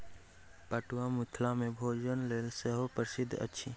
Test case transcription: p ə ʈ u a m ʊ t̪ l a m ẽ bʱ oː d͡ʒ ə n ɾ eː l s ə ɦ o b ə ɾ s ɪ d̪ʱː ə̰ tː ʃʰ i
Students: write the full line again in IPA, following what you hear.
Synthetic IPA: p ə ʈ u a m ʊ t̪ʰ l a m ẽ bʱ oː d͡ʒ ə n l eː l s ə ɦ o p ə ɾ s ɪ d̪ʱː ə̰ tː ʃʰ i